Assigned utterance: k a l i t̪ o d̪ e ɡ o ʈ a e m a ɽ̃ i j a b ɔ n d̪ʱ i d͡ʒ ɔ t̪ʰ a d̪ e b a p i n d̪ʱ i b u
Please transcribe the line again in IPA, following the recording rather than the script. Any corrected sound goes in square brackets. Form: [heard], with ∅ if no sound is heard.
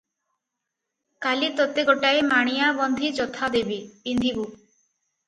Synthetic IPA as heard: k a l i t̪ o [t̪] e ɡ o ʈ a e m a ɽ̃ i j a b ɔ n d̪ʱ i d͡ʒ ɔ t̪ʰ a d̪ e b [i] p i n d̪ʱ i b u

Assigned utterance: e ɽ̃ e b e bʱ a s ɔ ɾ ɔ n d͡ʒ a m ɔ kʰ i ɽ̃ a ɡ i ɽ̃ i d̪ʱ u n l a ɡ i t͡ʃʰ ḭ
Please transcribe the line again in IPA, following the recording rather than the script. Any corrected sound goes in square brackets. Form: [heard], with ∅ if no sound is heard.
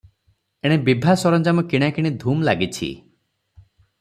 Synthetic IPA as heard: e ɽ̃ e b [i] bʱ a s ɔ ɾ ɔ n d͡ʒ a m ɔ [k] i ɽ̃ a [k] i ɽ̃ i d̪ʱ u [m] l a ɡ i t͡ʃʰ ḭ

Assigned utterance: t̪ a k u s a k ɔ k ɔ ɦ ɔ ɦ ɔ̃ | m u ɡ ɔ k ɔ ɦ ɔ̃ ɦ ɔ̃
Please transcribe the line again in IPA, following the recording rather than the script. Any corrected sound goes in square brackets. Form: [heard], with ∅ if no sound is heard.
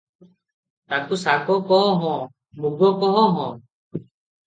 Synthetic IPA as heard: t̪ a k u s a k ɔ k ɔ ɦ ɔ ɦ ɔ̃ | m u ɡ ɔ k ɔ ɦ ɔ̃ ɦ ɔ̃

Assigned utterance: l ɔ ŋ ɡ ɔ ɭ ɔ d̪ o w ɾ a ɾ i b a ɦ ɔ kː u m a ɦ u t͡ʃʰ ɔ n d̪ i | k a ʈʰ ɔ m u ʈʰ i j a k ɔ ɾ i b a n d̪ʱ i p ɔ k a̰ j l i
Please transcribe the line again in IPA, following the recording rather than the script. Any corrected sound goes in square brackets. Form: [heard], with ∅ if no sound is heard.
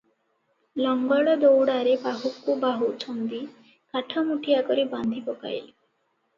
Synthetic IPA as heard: l ɔ ŋ ɡ ɔ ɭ ɔ d̪ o w [ɽ] a ɾ [e] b a ɦ [u] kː u [b] a ɦ u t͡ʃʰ ɔ n d̪ i | k a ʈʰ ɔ m u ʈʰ i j a k ɔ ɾ i b a n d̪ʱ i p ɔ k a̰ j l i

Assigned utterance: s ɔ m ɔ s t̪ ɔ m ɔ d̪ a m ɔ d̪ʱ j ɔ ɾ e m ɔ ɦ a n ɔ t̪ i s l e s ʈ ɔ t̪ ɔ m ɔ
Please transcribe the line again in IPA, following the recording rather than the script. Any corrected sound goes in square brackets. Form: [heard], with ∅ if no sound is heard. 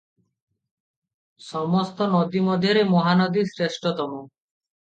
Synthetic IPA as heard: s ɔ m ɔ s t̪ ɔ [n] ɔ d̪ [i] m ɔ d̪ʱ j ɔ ɾ e m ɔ ɦ a n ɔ [d̪] i s [ɾ] e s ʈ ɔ t̪ ɔ m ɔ

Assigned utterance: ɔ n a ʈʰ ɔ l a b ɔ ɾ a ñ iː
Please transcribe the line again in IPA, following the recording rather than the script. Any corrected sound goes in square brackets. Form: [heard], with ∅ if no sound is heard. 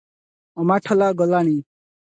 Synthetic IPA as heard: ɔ [m] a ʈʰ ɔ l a [ɡ] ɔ [l] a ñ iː

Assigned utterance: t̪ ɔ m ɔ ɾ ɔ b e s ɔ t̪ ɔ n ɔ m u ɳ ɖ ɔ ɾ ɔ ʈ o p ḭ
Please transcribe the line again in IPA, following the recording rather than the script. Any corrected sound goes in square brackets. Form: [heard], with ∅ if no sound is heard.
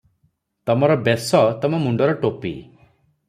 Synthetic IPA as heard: t̪ ɔ m ɔ ɾ ɔ b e s ɔ t̪ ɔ [m] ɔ m u ɳ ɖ ɔ ɾ ɔ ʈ o p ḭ

